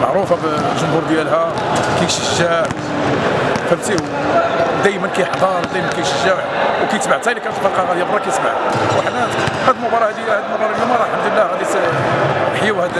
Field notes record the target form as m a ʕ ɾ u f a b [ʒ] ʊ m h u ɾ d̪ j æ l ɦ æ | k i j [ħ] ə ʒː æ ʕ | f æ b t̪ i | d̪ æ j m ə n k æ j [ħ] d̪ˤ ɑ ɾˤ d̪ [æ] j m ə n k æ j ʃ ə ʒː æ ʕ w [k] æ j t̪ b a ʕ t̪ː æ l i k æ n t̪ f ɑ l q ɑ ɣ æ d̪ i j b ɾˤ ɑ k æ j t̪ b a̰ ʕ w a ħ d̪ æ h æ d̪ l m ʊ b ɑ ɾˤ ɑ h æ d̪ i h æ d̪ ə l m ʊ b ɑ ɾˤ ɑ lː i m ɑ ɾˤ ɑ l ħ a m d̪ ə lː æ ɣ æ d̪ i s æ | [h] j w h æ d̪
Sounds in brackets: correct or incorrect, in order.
correct, incorrect: ʃ, correct, correct, correct, incorrect: ħ

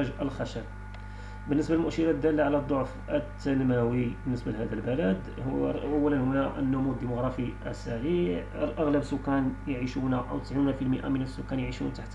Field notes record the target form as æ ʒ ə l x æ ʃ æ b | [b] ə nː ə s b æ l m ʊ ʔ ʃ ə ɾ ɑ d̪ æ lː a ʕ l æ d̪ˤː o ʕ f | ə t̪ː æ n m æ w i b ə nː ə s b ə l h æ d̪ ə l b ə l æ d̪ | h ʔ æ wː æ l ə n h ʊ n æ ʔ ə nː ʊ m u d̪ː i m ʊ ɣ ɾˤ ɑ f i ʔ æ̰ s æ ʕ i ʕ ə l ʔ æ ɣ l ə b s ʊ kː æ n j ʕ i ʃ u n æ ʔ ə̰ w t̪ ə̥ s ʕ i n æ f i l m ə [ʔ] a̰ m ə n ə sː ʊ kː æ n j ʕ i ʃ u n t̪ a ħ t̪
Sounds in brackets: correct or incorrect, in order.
correct, correct

